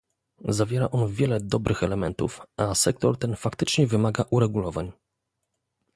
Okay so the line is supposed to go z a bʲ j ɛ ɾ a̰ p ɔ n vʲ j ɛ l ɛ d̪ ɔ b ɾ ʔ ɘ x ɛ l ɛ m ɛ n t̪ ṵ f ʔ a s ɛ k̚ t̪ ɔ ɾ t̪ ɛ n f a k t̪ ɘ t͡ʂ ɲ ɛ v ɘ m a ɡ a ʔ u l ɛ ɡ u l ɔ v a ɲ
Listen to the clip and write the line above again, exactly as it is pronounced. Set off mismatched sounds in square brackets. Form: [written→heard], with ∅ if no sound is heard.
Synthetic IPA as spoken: z a [bʲ→vʲ] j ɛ ɾ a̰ [p→ʔ] ɔ n vʲ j ɛ l ɛ d̪ ɔ b ɾ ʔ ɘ x ɛ l ɛ m ɛ n t̪ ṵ f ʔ a s ɛ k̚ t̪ ɔ ɾ t̪ ɛ n f a k t̪ ɘ t͡ʂ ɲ ɛ v ɘ m a ɡ a ʔ u [l→ɾ] ɛ ɡ u l ɔ v a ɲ